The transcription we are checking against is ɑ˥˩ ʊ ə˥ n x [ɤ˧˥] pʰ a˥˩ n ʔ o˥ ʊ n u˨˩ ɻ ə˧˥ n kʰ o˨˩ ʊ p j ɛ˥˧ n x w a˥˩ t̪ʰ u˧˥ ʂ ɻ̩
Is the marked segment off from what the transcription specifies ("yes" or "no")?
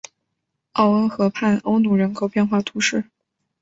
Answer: no